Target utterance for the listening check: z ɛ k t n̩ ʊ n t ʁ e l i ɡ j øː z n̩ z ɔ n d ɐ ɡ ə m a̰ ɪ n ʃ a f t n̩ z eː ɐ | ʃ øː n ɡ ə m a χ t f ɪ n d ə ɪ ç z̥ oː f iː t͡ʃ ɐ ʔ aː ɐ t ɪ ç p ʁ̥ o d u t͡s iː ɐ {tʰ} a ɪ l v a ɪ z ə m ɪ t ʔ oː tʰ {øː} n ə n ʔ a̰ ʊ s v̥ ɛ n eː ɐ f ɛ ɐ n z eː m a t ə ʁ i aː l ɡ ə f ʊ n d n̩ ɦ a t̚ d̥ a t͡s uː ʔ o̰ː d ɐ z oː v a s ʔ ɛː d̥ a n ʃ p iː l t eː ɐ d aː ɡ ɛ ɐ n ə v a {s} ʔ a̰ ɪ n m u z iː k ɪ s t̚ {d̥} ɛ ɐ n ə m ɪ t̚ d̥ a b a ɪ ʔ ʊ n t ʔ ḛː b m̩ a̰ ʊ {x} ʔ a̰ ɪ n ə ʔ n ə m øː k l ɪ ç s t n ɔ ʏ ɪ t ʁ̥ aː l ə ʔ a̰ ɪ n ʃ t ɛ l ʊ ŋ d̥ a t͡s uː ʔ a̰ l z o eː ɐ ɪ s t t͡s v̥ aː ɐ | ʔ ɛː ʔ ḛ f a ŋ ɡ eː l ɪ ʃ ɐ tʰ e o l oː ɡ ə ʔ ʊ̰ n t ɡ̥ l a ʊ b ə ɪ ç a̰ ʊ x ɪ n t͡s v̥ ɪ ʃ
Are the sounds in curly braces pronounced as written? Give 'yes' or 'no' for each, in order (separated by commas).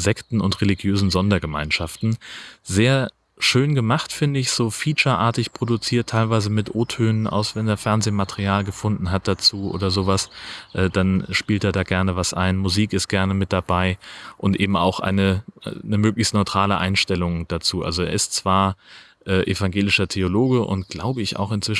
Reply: yes, yes, yes, no, yes